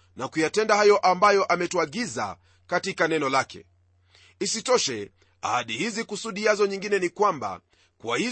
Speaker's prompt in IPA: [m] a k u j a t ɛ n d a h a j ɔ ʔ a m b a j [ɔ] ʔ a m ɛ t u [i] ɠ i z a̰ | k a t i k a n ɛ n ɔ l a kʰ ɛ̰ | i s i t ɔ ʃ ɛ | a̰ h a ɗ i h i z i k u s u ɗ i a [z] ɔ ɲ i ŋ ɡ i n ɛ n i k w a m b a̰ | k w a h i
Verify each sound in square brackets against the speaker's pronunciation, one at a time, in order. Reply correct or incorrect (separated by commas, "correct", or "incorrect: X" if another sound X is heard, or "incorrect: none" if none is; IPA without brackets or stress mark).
incorrect: n, correct, incorrect: a, correct